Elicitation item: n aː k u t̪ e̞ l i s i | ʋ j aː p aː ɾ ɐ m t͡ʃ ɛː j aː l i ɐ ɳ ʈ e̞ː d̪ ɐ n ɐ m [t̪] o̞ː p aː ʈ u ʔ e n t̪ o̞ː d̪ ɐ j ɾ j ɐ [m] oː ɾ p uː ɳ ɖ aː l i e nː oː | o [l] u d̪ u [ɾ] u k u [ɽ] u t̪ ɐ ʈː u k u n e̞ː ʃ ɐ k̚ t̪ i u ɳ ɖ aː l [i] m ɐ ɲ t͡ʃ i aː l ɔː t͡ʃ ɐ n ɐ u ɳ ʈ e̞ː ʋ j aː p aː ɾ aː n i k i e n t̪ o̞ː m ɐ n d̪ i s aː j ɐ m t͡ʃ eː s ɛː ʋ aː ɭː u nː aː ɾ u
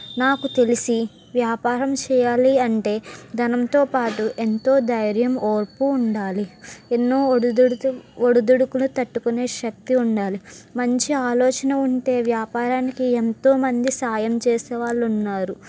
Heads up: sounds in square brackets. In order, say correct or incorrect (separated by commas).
correct, correct, incorrect, incorrect, incorrect, correct